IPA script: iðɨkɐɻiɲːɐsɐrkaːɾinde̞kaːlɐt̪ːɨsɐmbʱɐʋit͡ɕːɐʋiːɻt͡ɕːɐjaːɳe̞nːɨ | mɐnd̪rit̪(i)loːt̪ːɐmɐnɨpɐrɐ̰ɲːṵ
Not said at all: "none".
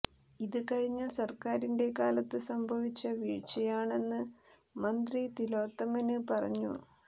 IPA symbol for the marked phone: i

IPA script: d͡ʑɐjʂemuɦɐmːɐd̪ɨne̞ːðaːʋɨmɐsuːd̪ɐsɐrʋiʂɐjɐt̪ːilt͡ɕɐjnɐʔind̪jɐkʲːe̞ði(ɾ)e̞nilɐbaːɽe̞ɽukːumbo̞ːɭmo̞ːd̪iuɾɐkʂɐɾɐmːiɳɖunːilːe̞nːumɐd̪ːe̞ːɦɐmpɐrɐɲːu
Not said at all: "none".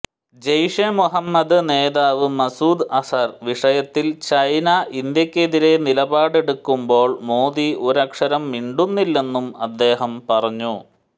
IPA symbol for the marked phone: ɾ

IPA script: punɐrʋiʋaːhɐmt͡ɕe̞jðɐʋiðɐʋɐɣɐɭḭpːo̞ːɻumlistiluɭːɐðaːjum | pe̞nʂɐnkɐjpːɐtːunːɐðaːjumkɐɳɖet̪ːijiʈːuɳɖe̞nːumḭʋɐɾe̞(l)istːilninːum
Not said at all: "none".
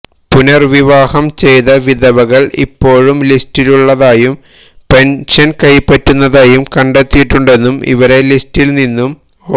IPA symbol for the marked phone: l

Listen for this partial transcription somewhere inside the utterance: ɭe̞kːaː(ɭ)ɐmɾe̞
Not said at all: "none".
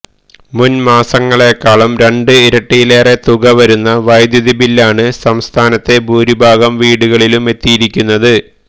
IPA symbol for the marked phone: ɭ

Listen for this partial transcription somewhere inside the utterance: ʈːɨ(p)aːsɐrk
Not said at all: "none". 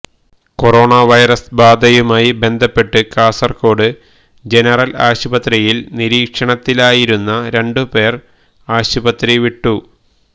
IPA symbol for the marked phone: k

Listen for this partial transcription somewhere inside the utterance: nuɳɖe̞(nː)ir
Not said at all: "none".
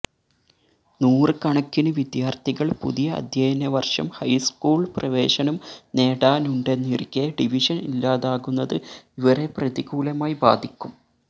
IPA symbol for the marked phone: nː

